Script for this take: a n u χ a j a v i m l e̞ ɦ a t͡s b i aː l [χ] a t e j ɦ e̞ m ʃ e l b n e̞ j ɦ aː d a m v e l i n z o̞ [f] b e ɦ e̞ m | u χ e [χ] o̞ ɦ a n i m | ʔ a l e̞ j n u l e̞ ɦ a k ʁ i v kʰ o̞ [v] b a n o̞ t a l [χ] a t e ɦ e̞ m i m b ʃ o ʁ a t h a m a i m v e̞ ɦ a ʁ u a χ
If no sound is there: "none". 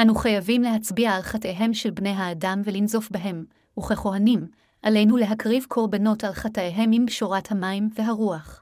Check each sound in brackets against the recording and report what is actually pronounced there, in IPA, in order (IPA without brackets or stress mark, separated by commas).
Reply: χ, f, χ, ʁ, χ